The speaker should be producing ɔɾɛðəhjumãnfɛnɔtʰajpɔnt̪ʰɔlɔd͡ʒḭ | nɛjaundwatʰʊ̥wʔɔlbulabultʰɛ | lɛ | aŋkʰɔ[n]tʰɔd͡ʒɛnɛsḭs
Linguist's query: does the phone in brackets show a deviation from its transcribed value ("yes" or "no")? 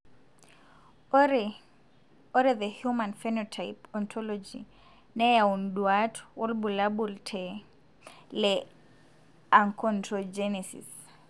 no